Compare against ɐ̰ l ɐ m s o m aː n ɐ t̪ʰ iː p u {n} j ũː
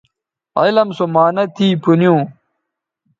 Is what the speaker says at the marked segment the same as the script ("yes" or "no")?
yes